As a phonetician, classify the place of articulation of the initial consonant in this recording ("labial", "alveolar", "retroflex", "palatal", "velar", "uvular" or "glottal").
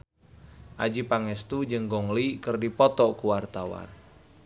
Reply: glottal